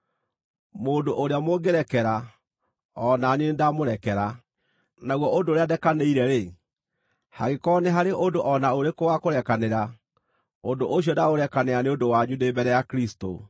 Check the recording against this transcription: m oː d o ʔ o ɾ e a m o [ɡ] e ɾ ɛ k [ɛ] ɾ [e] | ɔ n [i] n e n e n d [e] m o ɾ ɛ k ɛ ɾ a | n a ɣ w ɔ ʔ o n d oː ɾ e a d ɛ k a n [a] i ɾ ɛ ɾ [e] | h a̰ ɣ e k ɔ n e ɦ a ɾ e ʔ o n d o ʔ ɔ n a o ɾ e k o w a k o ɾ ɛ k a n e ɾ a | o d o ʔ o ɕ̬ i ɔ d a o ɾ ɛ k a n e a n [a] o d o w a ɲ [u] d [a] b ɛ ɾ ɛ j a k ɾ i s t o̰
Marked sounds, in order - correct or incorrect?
correct, correct, incorrect, incorrect, incorrect, incorrect, correct, incorrect, correct, incorrect

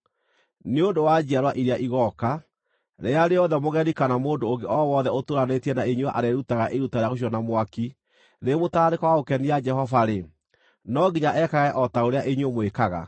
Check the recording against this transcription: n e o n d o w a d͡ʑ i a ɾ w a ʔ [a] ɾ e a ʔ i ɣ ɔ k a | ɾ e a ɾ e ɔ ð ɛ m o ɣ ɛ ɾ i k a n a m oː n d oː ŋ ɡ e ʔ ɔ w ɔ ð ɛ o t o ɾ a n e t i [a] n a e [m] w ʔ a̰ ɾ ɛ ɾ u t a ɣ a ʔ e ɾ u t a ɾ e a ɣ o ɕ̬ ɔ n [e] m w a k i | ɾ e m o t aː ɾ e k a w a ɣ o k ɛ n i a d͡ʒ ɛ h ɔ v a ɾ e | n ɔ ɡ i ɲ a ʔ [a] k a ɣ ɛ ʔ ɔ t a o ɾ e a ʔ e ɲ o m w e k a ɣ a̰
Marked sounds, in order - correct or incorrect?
incorrect, incorrect, incorrect, incorrect, incorrect

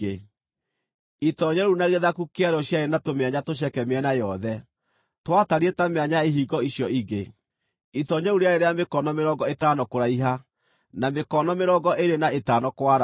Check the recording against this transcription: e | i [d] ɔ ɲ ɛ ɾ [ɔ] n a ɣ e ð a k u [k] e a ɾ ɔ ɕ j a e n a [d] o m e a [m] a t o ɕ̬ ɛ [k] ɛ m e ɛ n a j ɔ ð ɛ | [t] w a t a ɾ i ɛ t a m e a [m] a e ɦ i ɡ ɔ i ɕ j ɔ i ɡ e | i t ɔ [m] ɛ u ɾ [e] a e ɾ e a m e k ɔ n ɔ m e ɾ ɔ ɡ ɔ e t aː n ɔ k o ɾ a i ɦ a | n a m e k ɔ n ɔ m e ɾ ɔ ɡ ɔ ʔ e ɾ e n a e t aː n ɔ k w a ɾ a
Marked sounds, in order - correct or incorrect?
incorrect, incorrect, correct, incorrect, incorrect, correct, correct, incorrect, incorrect, correct

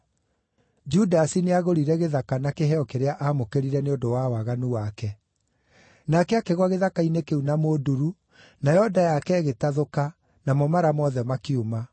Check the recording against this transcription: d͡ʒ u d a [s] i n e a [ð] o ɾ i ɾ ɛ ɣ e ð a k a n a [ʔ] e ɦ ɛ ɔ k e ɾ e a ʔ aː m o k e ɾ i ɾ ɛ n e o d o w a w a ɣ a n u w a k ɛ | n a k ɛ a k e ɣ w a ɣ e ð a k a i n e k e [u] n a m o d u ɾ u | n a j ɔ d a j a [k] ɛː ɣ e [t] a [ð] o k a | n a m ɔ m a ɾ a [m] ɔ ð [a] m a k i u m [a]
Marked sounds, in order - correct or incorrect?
correct, incorrect, incorrect, correct, correct, correct, correct, correct, incorrect, correct

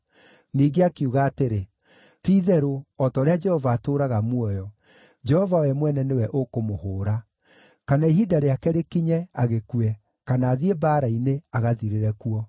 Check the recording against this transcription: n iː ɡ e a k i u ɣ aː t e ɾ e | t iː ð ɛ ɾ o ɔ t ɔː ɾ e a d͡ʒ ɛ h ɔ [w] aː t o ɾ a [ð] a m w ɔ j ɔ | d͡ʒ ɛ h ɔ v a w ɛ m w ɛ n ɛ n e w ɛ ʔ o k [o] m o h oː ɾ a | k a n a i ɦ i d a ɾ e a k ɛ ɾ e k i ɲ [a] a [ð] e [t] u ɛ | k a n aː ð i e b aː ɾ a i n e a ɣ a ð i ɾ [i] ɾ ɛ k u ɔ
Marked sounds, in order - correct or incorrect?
incorrect, incorrect, correct, incorrect, incorrect, incorrect, incorrect

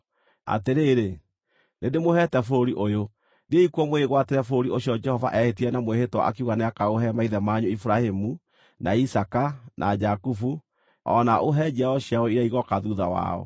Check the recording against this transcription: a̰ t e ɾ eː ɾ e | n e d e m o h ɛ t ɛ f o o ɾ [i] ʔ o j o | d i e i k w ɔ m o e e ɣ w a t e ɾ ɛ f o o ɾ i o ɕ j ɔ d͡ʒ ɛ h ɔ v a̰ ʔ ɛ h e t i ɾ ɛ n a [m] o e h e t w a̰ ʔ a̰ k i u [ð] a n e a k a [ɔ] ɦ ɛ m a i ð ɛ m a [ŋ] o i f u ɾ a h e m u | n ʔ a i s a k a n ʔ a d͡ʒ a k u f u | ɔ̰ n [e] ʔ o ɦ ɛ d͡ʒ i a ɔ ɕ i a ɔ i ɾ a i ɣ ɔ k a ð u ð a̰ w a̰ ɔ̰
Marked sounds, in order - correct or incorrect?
correct, correct, incorrect, incorrect, incorrect, incorrect

